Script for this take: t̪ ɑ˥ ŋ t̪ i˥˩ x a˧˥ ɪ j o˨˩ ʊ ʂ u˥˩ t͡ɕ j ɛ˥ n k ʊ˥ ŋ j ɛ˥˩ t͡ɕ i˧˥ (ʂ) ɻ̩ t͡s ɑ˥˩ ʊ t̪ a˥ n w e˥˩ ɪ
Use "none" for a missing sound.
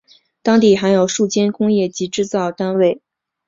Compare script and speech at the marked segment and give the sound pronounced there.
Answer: ʈ͡ʂ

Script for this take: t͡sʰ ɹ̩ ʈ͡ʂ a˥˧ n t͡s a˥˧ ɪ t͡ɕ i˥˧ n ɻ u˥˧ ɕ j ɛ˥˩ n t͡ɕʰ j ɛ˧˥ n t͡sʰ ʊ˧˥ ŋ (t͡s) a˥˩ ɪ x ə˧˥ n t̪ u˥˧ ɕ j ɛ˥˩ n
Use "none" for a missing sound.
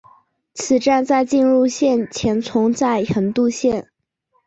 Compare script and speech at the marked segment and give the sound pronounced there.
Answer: t͡s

